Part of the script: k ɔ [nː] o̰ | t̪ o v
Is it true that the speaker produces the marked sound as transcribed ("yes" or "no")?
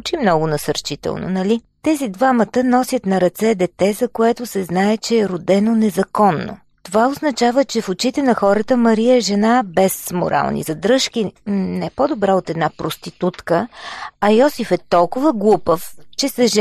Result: yes